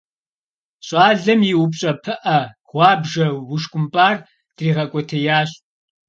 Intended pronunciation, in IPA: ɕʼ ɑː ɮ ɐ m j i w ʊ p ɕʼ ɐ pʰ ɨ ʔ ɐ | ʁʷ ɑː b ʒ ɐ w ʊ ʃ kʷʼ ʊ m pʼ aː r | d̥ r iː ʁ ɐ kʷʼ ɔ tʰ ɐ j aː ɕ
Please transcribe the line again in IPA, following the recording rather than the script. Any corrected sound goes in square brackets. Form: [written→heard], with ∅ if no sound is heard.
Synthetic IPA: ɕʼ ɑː ɮ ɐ m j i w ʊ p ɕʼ ɐ pʰ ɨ ʔ ɐ | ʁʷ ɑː b ʒ ɐ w ʊ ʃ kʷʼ ʊ m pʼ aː r | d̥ r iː ʁ ɐ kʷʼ ɔ tʰ ɐ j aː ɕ